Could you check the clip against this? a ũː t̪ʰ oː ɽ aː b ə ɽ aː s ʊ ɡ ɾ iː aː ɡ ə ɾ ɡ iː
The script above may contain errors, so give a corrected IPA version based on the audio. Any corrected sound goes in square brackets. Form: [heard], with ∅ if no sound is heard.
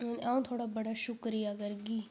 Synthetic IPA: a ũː t̪ʰ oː ɽ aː b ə ɽ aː [ʃ] ʊ [k] ɾ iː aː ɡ ə ɾ ɡ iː